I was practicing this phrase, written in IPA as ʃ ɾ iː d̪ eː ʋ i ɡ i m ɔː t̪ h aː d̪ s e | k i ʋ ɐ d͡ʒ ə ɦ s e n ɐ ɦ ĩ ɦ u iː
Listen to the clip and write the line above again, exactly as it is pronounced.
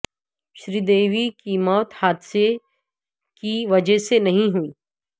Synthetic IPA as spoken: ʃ ɾ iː d̪ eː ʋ i k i m ɔː t̪ h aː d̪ s e | k i ʋ ɐ d͡ʒ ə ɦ s e n ɐ ɦ ĩ ɦ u iː